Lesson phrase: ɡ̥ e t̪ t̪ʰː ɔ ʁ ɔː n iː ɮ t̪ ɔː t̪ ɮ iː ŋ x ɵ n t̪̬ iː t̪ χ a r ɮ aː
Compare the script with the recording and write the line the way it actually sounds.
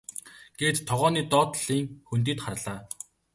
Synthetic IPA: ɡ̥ e t̪ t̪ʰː ɔ ʁ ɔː n iː t̪ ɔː t̪ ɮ iː ŋ x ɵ n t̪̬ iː t̪ χ a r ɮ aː

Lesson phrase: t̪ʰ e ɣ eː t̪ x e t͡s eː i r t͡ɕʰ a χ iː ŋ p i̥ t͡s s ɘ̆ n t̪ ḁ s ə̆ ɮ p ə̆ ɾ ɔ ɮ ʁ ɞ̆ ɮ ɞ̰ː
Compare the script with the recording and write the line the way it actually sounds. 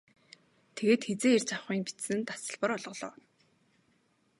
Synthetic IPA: t̪ʰ e ɣ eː t̪ x e t͡s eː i r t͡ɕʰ a χ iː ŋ p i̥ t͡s s ɘ̆ n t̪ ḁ s ə̆ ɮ p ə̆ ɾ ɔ ɮ ʁ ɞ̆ ɮ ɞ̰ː

